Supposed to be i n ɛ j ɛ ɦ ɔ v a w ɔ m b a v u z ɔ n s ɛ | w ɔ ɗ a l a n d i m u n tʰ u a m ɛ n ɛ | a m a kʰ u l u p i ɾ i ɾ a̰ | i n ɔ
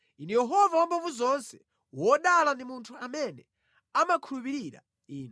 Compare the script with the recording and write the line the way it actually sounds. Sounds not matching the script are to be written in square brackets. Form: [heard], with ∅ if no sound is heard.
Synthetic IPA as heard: i n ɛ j ɛ ɦ ɔ v a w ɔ m b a v u z ɔ n s ɛ | w ɔ ɗ a l a n d i m u n tʰ u a m ɛ n ɛ | a m a kʰ u l u p i ɾ i ɾ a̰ | [iː] n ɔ